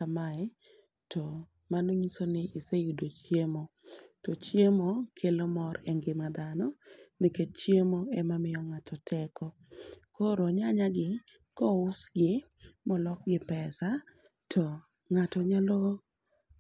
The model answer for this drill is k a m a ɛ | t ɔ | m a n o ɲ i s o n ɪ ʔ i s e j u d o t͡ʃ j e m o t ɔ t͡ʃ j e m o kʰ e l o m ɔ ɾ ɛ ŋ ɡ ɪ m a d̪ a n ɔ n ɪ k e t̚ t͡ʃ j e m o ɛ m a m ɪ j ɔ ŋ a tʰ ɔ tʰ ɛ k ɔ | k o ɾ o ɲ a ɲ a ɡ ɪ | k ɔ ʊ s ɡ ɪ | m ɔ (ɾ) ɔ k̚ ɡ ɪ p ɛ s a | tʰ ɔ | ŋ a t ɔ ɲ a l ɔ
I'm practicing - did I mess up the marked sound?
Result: yes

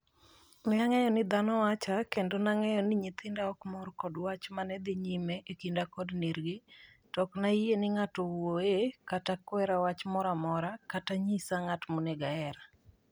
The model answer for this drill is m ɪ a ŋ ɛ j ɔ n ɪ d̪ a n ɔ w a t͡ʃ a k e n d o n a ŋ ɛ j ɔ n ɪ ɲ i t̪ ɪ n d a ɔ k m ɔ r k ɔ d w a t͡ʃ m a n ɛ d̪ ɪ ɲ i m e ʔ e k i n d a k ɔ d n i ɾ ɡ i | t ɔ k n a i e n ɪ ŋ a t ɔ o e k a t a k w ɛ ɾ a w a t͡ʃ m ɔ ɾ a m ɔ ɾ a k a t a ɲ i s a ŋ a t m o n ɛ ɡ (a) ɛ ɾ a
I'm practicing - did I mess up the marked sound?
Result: no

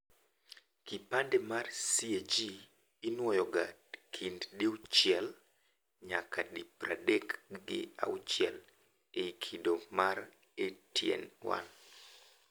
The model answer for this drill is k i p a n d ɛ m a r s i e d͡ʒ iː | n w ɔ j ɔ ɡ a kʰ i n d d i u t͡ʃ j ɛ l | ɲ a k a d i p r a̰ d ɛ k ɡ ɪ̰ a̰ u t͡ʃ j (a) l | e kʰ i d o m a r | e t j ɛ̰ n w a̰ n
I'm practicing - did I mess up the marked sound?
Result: yes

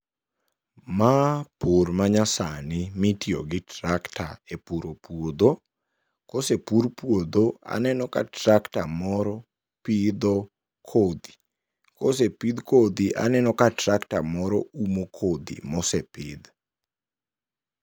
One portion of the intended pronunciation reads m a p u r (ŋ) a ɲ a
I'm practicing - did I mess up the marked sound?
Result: yes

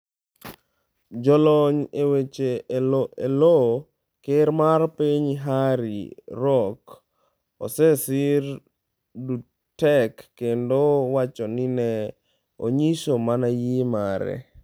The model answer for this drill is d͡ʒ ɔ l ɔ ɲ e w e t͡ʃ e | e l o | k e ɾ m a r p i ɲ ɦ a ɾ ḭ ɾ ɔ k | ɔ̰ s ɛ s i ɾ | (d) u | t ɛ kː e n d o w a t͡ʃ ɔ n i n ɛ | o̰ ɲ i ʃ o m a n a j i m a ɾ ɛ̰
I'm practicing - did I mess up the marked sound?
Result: no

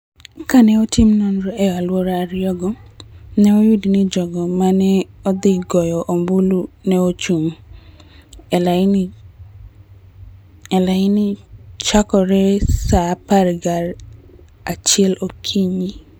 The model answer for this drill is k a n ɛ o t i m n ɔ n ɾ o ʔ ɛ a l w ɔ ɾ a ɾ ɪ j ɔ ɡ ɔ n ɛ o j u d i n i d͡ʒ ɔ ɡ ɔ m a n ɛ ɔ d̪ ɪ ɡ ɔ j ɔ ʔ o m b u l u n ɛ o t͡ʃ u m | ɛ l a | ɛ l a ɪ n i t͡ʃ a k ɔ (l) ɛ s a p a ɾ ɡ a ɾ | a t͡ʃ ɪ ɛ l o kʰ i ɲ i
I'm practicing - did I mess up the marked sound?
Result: yes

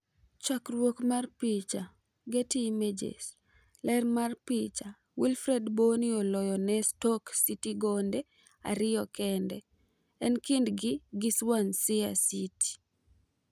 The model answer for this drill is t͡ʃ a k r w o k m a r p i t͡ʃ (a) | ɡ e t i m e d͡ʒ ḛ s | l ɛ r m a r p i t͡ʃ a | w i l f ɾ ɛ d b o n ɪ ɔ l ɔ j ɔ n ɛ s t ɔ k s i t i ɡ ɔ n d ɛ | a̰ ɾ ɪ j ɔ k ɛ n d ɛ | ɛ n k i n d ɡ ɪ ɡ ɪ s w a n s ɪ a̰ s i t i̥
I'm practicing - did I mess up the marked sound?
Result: no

